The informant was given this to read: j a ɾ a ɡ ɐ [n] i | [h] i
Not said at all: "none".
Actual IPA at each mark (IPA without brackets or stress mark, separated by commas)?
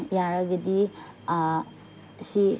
d, s